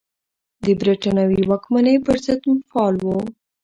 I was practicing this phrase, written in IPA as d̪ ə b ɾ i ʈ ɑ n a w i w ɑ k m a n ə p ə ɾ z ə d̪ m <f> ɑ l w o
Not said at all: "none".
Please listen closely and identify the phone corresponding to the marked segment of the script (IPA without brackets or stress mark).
f